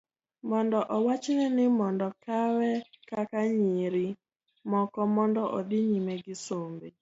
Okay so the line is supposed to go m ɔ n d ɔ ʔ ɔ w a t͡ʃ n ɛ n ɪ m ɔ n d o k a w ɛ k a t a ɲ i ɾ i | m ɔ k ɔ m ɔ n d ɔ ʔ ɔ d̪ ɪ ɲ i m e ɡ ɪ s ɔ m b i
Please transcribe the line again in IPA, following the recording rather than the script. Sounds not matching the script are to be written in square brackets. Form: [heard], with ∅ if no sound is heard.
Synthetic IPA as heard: m ɔ n d ɔ ʔ ɔ w a t͡ʃ n ɛ n ɪ m ɔ n d [ɔ] k a w ɛ k a [k] a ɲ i ɾ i | m ɔ k ɔ m ɔ n d ɔ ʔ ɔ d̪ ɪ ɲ i m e ɡ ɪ s [o] m b [e]